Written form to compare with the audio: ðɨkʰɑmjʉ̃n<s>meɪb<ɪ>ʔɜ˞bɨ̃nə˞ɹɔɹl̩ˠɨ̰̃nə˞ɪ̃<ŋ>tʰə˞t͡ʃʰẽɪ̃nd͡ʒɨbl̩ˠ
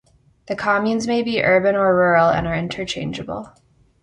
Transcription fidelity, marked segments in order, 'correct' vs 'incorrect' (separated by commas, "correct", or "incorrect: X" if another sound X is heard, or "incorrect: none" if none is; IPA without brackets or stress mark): incorrect: z, incorrect: i, incorrect: n